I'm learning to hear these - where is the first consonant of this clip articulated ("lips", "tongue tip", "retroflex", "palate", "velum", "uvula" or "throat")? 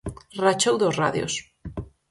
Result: tongue tip